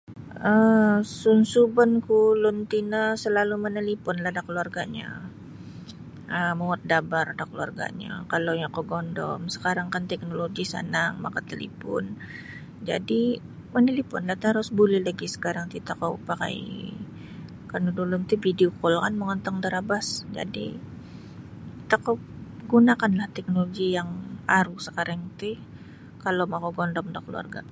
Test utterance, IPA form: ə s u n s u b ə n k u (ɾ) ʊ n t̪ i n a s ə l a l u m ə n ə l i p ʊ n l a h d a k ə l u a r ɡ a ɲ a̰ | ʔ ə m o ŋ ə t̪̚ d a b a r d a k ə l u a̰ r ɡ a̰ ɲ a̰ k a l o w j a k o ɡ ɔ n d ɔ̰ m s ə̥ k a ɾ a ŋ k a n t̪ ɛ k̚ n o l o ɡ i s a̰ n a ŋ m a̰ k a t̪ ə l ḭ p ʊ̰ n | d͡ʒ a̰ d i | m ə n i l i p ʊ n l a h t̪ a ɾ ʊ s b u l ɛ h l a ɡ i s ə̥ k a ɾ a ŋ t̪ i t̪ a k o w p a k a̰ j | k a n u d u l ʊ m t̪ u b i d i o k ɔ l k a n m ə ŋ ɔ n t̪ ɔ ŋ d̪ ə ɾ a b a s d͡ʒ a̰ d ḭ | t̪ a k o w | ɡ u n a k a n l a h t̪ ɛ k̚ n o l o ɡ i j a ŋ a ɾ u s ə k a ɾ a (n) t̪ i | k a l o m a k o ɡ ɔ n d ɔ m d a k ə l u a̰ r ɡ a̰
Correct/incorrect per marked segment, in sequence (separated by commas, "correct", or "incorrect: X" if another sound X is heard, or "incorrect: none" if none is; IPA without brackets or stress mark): incorrect: l, incorrect: ŋ